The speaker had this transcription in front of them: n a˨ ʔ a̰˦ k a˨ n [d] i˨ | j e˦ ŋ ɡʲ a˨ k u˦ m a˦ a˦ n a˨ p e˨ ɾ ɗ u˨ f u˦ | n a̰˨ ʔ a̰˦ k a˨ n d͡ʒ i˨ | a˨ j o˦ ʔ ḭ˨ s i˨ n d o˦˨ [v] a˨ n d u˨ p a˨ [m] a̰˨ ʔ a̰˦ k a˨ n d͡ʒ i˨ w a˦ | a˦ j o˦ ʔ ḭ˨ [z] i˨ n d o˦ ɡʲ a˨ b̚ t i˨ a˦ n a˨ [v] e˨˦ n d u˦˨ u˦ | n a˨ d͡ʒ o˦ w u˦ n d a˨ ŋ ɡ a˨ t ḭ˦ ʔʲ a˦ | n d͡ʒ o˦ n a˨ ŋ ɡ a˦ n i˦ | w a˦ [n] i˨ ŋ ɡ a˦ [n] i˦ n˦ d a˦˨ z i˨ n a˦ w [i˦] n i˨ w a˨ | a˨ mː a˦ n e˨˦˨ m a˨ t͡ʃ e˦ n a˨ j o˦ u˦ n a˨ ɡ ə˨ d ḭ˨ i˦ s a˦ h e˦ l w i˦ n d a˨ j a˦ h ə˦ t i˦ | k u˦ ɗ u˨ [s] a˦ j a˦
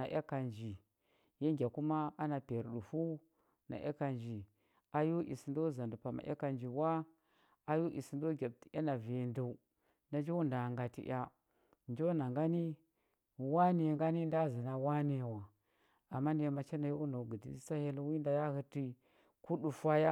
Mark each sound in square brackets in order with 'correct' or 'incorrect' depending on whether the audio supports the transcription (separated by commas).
incorrect, incorrect, correct, incorrect, correct, correct, correct, incorrect, incorrect